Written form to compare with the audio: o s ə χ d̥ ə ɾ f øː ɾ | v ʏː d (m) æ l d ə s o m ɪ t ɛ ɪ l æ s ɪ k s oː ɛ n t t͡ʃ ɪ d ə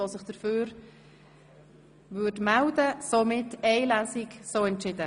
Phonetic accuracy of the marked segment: correct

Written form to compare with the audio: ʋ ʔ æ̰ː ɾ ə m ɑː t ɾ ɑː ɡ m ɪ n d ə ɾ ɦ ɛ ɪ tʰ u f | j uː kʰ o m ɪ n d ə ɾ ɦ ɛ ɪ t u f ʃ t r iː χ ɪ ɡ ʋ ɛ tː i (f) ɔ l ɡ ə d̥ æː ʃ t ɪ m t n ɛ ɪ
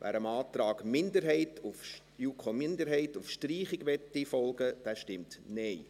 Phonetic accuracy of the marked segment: correct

